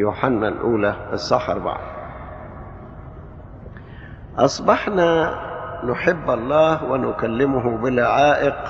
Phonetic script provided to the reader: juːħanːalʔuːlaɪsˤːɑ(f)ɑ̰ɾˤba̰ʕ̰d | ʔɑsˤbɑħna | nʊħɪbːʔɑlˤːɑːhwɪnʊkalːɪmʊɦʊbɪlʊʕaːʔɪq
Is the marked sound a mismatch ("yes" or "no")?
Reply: yes